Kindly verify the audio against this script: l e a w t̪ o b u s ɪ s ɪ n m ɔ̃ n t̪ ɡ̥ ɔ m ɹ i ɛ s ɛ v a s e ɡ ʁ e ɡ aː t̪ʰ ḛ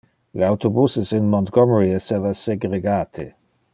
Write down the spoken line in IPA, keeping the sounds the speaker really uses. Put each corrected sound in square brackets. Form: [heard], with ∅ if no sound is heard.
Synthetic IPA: l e a w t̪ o b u s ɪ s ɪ n m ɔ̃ n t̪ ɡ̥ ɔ m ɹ i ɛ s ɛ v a s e ɡ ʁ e ɡ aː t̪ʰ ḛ